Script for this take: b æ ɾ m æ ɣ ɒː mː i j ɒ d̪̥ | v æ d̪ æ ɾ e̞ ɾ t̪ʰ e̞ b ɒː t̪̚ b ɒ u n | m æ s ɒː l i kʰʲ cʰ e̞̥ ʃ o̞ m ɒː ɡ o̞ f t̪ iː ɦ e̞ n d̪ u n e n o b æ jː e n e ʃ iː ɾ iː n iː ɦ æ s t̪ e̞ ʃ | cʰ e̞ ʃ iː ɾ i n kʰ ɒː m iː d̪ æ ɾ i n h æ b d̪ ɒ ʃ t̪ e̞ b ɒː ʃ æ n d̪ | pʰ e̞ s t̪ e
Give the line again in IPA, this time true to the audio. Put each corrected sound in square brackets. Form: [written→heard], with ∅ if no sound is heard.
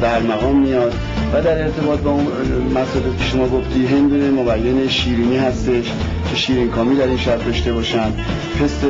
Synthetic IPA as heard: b æ ɾ m æ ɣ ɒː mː i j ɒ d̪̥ | v æ d̪ æ ɾ e̞ ɾ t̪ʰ e̞ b ɒː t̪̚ b ɒ u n | m æ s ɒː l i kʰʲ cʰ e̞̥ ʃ o̞ m ɒː ɡ o̞ f t̪ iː ɦ e̞ n d̪ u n e [n→m] o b æ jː e n e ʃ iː ɾ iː n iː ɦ æ s t̪ e̞ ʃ | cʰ e̞ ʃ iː ɾ i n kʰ ɒː m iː d̪ æ ɾ i n [h→ʃ] æ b d̪ ɒ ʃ t̪ e̞ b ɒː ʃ æ n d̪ | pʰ e̞ s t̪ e